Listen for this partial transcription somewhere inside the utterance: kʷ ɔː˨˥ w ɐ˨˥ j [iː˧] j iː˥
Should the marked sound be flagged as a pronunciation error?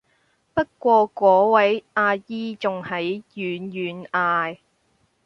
yes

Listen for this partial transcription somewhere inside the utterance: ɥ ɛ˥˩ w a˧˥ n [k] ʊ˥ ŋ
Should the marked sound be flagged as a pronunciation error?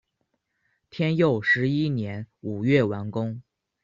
no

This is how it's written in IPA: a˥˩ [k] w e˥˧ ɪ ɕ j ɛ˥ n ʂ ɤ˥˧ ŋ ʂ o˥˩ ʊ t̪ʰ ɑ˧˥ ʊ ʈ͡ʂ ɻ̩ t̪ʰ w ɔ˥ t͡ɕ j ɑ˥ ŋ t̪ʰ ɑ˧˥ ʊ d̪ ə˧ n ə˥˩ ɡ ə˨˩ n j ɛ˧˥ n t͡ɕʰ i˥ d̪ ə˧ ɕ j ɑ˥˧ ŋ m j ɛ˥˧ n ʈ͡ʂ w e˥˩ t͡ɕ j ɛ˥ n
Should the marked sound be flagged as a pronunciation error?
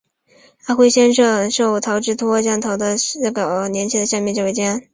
yes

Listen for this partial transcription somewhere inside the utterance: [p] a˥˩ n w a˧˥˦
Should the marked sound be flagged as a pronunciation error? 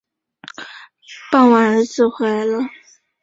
no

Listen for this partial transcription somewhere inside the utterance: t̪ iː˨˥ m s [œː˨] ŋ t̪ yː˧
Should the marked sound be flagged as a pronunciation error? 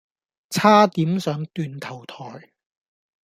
yes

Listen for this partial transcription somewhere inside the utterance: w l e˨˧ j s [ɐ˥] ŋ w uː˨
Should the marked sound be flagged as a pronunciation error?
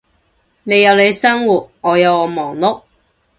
no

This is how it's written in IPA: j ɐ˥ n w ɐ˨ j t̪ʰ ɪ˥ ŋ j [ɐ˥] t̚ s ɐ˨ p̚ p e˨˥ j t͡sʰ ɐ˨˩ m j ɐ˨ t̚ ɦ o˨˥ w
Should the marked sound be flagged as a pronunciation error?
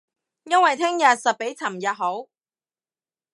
yes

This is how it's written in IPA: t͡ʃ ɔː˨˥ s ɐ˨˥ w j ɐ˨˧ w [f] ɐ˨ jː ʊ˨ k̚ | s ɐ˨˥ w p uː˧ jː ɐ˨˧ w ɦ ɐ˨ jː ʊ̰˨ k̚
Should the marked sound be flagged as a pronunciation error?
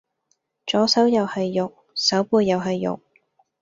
yes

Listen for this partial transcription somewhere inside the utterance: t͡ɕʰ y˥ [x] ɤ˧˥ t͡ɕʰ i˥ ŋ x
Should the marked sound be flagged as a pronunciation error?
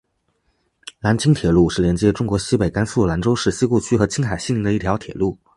no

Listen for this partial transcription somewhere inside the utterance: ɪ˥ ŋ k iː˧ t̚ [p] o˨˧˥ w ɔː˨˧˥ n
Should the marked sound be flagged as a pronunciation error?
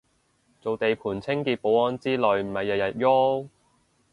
no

